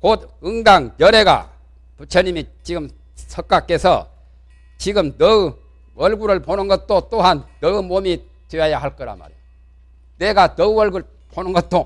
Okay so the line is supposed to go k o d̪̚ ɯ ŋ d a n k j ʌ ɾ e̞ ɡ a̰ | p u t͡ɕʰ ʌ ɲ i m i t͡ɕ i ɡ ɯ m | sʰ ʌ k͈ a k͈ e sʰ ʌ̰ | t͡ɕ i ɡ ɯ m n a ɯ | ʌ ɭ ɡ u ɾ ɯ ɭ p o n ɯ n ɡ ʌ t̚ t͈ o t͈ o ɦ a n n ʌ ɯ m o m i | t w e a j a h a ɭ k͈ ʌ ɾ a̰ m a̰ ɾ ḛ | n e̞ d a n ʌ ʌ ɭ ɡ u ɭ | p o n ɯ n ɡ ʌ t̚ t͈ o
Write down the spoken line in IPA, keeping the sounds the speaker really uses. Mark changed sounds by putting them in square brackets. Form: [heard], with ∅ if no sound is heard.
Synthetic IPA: k o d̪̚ ɯ ŋ d a [ŋ] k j ʌ ɾ e̞ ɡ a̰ | p u t͡ɕʰ ʌ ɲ i m i t͡ɕ i ɡ ɯ m | sʰ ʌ k͈ a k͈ e sʰ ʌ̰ | t͡ɕ i ɡ ɯ m n [ʌ] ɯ | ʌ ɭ ɡ u ɾ ɯ ɭ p o n ɯ n ɡ ʌ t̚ t͈ o t͈ o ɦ a n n ʌ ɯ m o m i | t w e a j a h a ɭ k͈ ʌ ɾ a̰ m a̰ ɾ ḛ | n e̞ [ɡ] a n ʌ ʌ ɭ ɡ u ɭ | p o n ɯ n ɡ ʌ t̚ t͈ o